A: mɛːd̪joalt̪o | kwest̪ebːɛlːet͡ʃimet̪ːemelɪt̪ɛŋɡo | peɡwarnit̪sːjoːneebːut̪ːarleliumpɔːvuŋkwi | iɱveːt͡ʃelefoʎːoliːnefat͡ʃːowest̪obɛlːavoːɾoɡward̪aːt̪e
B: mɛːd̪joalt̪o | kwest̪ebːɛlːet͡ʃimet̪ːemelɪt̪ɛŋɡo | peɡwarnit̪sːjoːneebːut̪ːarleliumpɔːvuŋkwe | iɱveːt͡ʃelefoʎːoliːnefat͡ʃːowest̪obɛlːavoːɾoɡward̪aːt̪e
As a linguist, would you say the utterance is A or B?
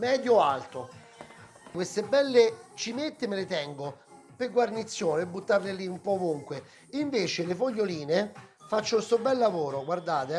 B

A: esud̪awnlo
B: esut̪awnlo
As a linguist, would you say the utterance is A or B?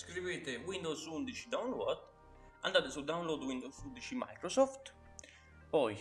A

